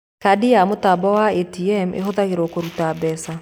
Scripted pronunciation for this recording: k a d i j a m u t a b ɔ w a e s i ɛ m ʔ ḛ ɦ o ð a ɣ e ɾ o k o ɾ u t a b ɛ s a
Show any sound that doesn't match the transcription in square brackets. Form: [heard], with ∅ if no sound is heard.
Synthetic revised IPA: k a d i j a m [o] t a b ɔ w a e [t] i ɛ m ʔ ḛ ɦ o ð a ɣ e ɾ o k o ɾ u t a b ɛ s a

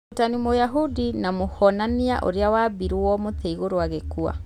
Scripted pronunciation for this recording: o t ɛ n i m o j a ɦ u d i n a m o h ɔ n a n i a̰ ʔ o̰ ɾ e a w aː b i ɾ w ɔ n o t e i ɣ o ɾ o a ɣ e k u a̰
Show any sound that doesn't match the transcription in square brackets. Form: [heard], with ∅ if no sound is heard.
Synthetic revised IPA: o t [a] n i m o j a ɦ u d i n a m o h ɔ n a n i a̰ ʔ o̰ ɾ e a w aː b i ɾ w ɔ [m] o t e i ɣ o ɾ o a ɣ e k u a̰

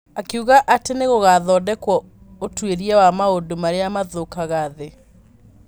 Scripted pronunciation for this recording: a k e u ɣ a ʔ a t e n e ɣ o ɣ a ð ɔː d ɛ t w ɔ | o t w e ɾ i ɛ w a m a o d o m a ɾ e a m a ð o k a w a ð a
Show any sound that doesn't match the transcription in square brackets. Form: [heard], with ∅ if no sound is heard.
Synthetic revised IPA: a k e u ɣ a ʔ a t e n e ɣ o ɣ a ð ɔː d ɛ [k] w ɔ | o t w e ɾ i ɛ w a m a o d o m a ɾ e a m a ð o k a [ɣ] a ð [e]

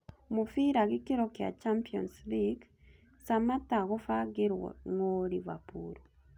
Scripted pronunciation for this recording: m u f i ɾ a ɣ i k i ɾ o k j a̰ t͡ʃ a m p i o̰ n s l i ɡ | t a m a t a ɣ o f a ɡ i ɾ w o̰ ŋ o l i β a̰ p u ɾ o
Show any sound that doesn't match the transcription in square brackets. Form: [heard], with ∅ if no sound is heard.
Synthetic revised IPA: m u f i ɾ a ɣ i k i ɾ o k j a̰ t͡ʃ a m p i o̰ n s l i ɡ | [s] a m a t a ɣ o f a ɡ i ɾ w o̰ ŋ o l i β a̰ p u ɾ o

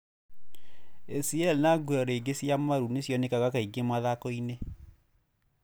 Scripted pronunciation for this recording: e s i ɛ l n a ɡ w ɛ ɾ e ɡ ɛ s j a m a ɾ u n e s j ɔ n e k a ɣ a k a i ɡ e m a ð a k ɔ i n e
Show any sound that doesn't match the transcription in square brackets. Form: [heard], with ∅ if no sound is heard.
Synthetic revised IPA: e s i ɛ l n a ɡ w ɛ ɾ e ɡ [e] s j a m a ɾ u n e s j ɔ n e k a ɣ a k a i ɡ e m a ð a k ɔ i n e

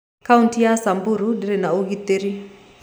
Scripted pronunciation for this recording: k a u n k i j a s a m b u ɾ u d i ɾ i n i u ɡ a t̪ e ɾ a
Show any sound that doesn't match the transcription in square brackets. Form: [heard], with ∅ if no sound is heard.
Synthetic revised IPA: k a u n [t] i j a s a m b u ɾ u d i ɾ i n [a] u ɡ [i] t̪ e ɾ [i]

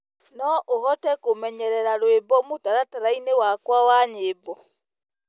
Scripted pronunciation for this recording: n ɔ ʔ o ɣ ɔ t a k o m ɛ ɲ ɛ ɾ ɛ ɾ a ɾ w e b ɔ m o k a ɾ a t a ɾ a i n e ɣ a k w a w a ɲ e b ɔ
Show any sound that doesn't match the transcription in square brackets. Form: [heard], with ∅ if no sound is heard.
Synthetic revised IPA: n ɔ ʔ o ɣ ɔ t [ɛ] k o m ɛ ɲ ɛ ɾ ɛ ɾ a ɾ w e b ɔ m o [t] a ɾ a t a ɾ a i n e [w] a k w a w a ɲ e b ɔ

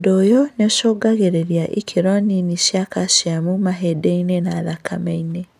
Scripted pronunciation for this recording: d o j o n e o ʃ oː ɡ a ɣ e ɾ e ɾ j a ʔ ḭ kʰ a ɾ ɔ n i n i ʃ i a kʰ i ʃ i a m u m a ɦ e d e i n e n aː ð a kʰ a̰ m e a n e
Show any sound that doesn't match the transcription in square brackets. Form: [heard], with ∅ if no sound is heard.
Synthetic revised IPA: d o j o n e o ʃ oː ɡ a ɣ e ɾ e ɾ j a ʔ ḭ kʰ [e] ɾ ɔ n i n i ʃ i a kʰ [a] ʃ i a m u m a ɦ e d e i n e n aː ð a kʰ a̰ m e [i] n e

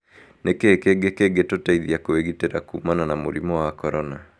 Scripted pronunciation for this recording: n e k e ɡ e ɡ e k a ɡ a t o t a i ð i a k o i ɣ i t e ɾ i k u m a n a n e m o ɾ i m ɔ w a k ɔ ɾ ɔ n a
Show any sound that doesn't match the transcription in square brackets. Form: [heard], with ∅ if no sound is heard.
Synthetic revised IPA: n e k e [k] e ɡ e k [e] ɡ [e] t o t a i ð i a k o [e] ɣ i t e ɾ [a] k u m a n a n [a] m o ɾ i m ɔ w a k ɔ ɾ ɔ n a

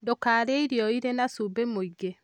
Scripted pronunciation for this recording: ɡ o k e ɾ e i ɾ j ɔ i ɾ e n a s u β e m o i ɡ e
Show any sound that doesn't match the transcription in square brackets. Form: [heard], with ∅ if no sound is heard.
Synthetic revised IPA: [d] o k [a] ɾ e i ɾ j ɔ i ɾ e n a s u [b] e m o i ɡ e

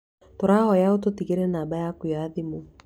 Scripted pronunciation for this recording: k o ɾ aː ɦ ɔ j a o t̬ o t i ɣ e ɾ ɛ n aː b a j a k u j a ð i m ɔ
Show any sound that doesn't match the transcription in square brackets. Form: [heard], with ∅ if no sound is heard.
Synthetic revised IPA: [t] o ɾ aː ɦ ɔ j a o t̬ o t i ɣ e ɾ ɛ n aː b a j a k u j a ð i m [u]

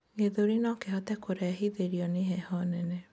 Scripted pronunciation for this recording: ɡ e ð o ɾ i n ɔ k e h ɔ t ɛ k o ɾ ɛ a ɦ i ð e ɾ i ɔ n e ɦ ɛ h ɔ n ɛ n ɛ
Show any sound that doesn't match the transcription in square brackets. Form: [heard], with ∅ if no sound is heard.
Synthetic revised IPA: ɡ e ð o ɾ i n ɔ k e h ɔ t ɛ k o ɾ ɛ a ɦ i ð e ɾ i ɔ n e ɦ ɛ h ɔ n ɛ n ɛ

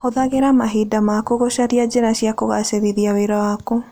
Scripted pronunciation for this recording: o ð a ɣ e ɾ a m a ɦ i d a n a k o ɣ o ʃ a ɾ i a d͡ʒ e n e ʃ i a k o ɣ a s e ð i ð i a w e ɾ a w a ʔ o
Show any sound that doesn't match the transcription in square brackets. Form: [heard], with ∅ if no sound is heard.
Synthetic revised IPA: o ð a ɣ e ɾ a m a ɦ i d a [m] a k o ɣ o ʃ a ɾ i a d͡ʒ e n [a] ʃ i a k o ɣ a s e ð i ð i a w e ɾ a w a [k] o

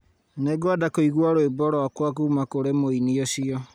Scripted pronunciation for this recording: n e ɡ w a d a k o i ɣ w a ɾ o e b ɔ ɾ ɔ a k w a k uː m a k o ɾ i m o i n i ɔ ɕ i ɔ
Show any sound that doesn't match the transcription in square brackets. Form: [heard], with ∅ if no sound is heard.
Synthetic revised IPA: n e ɡ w a d a k o i ɣ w a ɾ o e b ɔ ɾ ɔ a k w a k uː m a k o ɾ [e] m o i n i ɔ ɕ i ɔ

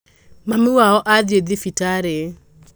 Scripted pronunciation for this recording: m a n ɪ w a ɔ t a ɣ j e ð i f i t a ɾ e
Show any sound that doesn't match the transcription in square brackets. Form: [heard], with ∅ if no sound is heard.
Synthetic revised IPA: m a [m] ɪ w a ɔ [ʔ] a [ð] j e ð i f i t a ɾ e

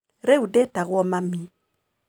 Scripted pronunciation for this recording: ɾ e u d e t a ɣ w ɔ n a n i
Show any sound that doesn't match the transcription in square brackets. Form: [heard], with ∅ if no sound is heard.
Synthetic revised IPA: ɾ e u d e t a ɣ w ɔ [m] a [m] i

